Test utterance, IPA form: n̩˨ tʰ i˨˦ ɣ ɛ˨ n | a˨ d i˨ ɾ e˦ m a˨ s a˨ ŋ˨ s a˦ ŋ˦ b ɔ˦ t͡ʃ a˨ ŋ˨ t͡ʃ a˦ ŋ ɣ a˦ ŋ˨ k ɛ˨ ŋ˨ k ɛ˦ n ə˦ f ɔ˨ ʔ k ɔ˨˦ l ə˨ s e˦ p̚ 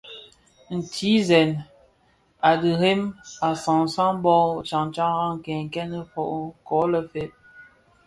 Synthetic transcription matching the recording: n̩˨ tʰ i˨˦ z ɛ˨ n | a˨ d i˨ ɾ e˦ m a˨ s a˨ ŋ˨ s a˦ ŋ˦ b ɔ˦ t͡ʃ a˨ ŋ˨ t͡ʃ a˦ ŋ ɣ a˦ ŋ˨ k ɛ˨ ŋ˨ k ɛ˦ n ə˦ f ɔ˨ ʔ k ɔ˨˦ l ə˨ f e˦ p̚